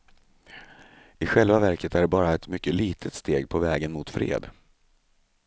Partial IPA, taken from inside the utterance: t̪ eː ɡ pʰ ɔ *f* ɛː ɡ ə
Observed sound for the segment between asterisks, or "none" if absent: v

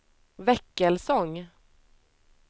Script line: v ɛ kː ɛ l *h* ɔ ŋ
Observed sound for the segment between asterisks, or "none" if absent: s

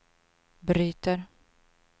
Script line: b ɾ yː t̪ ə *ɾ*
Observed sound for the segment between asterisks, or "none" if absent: ɾ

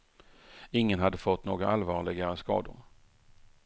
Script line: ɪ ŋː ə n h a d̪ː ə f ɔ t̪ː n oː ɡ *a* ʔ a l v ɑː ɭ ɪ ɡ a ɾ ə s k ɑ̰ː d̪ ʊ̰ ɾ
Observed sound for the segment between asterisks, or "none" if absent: a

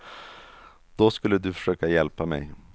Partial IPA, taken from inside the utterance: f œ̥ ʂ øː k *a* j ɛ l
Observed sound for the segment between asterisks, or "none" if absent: a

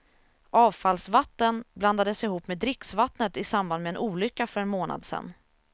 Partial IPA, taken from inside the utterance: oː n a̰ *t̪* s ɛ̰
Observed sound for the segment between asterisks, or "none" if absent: d̪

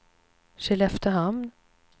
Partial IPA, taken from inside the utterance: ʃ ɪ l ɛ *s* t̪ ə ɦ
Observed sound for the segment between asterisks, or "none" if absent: f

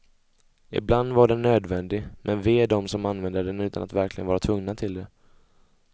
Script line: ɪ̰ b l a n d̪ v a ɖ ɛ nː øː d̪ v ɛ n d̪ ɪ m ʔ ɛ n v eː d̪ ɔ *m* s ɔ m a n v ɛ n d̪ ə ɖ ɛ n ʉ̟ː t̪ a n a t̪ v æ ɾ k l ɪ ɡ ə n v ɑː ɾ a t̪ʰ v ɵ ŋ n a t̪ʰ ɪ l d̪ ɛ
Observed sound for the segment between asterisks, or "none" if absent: m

